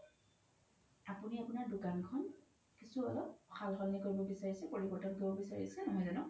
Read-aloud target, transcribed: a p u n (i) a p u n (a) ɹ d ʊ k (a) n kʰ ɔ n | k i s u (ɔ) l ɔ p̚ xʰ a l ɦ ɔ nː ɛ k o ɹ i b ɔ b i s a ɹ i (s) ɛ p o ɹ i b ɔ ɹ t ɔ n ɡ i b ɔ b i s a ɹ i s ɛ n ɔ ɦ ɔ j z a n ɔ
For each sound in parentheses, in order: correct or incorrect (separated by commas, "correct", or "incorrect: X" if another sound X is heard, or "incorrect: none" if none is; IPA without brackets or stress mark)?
correct, correct, correct, correct, correct